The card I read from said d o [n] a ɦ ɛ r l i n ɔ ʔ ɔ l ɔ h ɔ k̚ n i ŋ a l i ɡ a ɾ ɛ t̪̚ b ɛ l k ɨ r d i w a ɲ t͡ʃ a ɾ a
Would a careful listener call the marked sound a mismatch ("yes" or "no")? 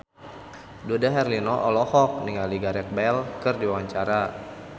yes